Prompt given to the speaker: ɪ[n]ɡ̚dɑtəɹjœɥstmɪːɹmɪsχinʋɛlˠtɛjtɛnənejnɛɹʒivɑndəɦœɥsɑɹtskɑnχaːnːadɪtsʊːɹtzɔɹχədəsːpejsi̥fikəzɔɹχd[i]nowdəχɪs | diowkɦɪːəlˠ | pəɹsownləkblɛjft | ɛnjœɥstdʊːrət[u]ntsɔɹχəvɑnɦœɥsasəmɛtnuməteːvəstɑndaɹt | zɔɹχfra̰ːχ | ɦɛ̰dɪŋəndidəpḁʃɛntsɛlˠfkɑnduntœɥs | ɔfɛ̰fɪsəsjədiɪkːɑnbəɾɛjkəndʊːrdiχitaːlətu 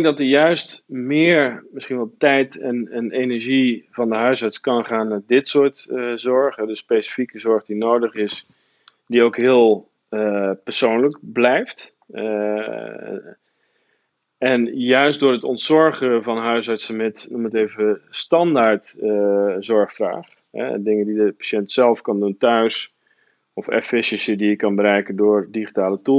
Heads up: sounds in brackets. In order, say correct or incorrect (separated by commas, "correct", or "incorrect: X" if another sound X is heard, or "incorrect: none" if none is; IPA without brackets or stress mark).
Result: incorrect: ŋ, correct, incorrect: ɔ